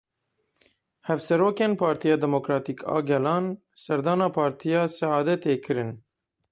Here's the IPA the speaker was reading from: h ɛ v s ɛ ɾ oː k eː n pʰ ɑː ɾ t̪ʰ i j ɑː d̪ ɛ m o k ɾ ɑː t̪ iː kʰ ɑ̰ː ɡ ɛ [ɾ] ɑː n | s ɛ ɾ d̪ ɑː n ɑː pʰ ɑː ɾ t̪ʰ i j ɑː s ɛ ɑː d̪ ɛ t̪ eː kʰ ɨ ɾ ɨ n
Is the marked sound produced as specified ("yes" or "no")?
no